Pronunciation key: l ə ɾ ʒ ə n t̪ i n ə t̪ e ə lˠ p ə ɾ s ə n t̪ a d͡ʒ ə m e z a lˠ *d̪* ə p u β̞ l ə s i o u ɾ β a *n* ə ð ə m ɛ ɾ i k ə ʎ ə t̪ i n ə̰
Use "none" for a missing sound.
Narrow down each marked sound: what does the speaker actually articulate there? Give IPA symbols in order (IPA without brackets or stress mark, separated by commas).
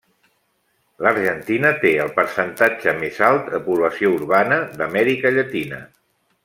t̪, n